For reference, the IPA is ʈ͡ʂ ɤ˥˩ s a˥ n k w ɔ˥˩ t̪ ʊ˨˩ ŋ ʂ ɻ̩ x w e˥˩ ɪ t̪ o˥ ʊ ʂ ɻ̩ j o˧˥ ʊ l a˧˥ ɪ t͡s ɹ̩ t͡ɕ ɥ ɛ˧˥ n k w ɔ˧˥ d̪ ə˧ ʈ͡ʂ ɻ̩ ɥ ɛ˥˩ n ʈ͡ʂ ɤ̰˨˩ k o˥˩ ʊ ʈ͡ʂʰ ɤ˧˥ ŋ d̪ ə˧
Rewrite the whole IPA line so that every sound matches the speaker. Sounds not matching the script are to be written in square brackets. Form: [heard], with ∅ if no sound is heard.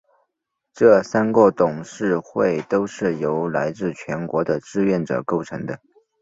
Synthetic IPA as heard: ʈ͡ʂ ɤ˥˩ s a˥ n k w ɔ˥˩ t̪ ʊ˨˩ ŋ ʂ ɻ̩ x w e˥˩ ɪ t̪ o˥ ʊ ʂ ɻ̩ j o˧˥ ʊ l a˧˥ ɪ t͡s ɹ̩ [t͡ɕʰ] ɥ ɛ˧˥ n k w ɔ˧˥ d̪ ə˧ ʈ͡ʂ ɻ̩ ɥ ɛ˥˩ n ʈ͡ʂ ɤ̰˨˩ k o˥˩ ʊ ʈ͡ʂʰ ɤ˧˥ ŋ d̪ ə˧